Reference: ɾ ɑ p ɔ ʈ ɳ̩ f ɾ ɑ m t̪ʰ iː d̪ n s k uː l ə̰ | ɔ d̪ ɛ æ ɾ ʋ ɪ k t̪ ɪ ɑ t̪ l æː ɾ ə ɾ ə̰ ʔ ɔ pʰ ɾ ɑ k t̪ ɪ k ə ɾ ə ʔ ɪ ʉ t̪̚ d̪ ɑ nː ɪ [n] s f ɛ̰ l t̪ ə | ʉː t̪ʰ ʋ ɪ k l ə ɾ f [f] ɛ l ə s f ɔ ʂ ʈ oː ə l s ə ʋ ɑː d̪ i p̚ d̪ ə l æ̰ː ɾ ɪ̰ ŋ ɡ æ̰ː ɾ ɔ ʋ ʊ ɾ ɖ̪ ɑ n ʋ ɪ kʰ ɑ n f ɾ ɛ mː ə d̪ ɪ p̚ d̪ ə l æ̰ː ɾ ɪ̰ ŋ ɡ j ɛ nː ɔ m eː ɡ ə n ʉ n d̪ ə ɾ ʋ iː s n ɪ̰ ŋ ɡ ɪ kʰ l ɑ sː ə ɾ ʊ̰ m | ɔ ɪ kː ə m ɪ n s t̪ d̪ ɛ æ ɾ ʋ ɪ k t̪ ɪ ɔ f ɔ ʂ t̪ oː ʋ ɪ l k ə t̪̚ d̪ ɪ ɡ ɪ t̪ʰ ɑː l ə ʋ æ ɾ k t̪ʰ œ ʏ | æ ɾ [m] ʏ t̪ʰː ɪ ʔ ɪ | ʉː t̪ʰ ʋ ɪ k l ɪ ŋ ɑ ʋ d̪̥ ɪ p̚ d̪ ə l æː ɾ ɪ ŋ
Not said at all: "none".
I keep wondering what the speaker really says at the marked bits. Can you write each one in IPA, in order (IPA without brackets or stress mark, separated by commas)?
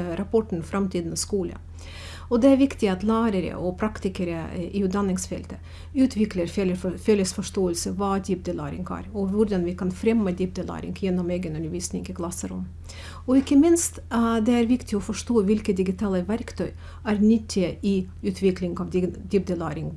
ŋ, f, n